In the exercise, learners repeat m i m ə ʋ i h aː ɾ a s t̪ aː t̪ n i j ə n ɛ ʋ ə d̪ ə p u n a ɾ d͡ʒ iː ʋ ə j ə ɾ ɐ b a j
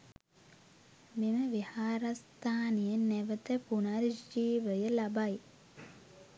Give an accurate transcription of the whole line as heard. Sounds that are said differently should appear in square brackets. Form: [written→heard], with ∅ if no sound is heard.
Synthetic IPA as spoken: m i m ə ʋ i h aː ɾ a s t̪ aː [t̪→∅] n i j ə n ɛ ʋ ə [d̪→t̪] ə p u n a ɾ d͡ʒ iː ʋ ə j ə [ɾ→l] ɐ b a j